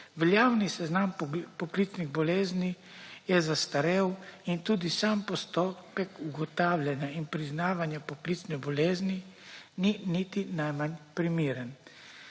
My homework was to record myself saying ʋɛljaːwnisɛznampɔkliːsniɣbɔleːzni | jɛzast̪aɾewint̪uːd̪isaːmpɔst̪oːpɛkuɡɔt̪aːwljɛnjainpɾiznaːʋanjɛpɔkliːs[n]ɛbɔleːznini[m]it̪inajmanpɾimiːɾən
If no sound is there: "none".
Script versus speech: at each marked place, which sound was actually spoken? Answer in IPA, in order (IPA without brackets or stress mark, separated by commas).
n, n